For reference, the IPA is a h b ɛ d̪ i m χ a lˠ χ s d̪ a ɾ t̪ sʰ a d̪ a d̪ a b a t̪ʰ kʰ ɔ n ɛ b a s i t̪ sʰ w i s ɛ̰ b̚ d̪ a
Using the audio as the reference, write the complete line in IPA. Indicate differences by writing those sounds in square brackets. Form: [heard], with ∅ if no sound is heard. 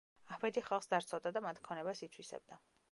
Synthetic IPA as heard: a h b ɛ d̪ i [∅] χ a lˠ χ s d̪ a ɾ t̪ sʰ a d̪ a d̪ a [m] a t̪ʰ kʰ ɔ n ɛ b a s i t̪ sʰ w i s ɛ̰ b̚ d̪ a